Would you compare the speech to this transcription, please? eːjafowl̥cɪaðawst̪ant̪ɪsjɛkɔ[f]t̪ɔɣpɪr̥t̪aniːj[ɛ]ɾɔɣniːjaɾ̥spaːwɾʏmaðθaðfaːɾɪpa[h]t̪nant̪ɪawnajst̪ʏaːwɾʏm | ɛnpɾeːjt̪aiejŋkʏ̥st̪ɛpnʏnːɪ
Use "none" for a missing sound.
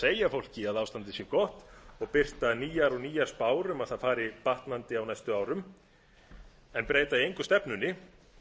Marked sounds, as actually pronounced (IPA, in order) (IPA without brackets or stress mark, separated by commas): h, a, h